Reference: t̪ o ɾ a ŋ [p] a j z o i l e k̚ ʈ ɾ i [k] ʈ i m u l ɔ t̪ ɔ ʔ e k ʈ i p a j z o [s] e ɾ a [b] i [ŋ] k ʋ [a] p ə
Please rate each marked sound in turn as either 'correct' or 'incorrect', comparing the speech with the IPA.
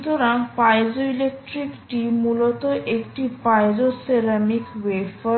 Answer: correct, correct, correct, incorrect: m, incorrect: none, incorrect: e

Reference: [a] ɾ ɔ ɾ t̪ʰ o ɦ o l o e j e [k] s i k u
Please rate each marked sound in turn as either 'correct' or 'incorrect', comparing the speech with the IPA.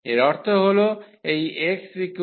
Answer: incorrect: e, correct

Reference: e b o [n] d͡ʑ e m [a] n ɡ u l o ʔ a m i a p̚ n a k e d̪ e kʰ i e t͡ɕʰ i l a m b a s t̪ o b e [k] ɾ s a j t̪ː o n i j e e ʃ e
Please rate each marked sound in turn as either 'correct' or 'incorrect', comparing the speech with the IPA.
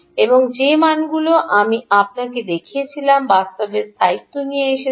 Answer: incorrect: ŋ, correct, incorrect: none

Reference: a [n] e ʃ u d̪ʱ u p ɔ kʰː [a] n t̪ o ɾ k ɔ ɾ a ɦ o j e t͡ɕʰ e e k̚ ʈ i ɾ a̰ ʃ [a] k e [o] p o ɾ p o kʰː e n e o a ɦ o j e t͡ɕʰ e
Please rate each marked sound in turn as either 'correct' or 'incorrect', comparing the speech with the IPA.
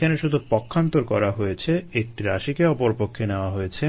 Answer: correct, correct, incorrect: i, incorrect: ɔ

